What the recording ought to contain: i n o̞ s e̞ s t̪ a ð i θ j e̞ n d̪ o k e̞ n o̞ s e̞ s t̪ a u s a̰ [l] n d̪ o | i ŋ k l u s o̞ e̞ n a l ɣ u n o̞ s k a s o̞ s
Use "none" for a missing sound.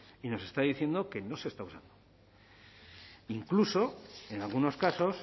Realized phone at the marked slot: none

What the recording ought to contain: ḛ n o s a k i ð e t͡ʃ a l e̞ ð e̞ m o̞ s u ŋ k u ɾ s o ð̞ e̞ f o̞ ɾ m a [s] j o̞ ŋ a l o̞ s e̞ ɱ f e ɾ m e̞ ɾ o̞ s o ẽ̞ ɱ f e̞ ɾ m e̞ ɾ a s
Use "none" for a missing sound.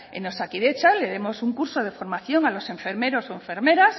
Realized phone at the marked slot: θ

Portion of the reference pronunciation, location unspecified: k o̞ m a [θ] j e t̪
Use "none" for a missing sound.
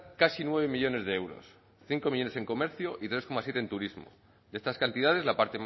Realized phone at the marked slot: s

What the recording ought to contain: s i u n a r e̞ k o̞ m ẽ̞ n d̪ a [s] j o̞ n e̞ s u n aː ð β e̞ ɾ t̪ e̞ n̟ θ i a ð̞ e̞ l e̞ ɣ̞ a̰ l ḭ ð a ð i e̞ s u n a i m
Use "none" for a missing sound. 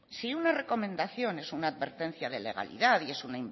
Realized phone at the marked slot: θ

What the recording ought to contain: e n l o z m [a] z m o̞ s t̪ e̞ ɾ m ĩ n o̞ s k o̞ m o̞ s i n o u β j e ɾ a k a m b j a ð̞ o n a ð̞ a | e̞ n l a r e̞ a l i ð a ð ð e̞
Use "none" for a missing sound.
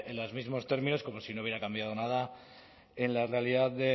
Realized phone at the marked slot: i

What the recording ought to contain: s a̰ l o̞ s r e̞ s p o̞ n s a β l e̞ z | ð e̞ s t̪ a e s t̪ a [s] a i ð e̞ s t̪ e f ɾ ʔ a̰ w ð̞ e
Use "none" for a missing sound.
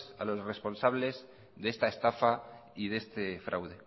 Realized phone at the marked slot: f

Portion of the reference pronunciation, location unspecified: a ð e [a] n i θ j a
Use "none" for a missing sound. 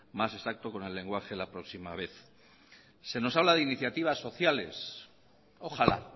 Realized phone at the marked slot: i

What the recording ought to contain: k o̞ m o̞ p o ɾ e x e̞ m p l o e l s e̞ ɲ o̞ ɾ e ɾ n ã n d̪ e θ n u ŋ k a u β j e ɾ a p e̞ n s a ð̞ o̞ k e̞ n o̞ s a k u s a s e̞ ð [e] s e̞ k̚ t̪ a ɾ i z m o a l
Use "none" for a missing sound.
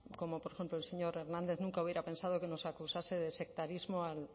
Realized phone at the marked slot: e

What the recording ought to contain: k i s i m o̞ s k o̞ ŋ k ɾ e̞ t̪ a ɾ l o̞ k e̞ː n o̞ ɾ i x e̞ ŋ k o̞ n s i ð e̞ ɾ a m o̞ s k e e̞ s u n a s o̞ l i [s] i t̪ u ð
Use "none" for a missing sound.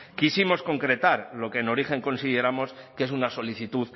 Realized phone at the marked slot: θ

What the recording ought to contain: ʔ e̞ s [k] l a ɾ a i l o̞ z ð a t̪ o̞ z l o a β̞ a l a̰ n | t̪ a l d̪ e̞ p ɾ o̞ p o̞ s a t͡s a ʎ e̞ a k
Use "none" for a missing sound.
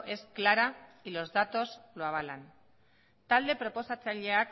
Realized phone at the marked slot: k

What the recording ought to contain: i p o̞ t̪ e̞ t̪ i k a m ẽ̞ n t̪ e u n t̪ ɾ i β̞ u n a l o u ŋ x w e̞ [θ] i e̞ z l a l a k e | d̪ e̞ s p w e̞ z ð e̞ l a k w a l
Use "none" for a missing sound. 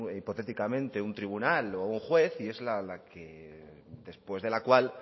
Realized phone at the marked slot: θ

